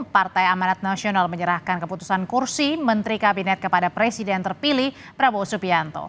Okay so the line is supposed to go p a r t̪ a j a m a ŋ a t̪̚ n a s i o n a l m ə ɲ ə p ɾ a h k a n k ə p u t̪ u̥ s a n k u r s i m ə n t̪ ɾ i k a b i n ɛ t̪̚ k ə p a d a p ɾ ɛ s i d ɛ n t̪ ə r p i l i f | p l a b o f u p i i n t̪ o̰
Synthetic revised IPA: p a r t̪ a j a m a n a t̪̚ n a s i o n a l m ə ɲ ə ɾ a h k a n k ə p u t̪ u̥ s a n k u r s i m ə n t̪ ɾ i k a b i n ɛ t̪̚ k ə p a d a p ɾ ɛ s i d ɛ n t̪ ə r p i l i h | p ɾ a b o s u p i a n t̪ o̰